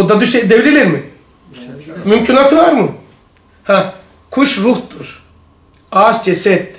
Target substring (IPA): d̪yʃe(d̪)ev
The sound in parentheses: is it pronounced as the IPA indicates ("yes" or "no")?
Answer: yes